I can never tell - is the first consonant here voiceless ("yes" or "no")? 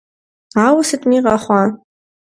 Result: no